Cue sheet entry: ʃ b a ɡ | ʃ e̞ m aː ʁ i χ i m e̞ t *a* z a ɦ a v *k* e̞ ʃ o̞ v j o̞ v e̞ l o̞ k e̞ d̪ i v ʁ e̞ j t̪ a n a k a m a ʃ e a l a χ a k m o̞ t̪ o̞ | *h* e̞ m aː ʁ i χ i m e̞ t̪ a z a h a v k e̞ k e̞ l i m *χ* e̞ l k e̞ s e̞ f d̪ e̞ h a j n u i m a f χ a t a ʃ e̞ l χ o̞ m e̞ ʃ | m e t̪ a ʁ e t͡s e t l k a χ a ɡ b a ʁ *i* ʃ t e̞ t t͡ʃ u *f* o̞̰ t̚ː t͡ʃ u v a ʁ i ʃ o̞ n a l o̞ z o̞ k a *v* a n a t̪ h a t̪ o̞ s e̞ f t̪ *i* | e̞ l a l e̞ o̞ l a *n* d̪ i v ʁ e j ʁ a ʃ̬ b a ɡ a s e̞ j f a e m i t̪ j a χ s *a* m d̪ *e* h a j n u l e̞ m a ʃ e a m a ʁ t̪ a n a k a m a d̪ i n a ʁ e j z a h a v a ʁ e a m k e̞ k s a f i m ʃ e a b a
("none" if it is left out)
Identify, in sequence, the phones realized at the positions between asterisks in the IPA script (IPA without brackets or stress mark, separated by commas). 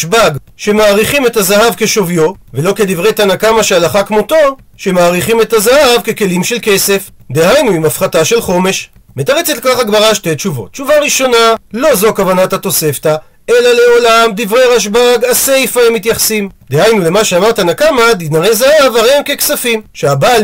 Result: a, k, ʃ, ʃ, a, v, v, a, m, i, e